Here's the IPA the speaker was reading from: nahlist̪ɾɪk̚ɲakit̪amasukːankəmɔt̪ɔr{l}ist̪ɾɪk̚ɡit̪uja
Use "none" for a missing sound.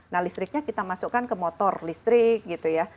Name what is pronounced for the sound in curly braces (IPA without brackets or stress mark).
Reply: l